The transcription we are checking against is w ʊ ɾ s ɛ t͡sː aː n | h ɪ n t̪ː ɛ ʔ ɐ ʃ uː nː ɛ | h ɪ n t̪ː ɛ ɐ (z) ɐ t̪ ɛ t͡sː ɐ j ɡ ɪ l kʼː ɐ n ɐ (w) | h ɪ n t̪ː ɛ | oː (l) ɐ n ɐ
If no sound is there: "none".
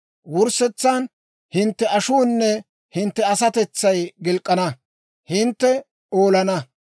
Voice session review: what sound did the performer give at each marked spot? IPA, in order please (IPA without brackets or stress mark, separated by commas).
s, none, l